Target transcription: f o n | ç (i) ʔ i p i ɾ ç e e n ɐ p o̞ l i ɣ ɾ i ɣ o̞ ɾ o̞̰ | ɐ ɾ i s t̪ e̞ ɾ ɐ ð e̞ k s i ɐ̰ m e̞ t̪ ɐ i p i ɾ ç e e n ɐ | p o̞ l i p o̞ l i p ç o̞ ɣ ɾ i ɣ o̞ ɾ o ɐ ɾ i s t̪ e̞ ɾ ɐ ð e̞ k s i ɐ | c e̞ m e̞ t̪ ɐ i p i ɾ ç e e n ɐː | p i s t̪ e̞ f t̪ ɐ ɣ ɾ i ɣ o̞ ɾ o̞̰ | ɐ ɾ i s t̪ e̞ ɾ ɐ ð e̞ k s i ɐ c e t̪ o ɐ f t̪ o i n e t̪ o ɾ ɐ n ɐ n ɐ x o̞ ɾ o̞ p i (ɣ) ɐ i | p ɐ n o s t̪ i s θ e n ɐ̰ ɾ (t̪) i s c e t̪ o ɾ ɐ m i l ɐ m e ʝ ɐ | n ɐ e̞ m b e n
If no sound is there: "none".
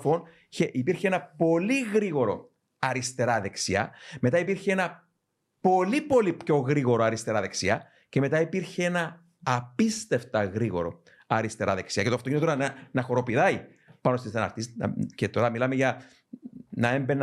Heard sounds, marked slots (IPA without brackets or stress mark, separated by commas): e, ð, t̪